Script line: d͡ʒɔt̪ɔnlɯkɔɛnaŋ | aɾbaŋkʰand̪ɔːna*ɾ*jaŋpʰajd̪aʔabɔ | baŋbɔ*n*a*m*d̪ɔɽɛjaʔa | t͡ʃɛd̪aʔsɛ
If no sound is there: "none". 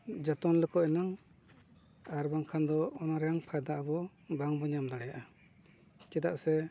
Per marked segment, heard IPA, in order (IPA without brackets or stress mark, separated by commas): ɾ, ɲ, m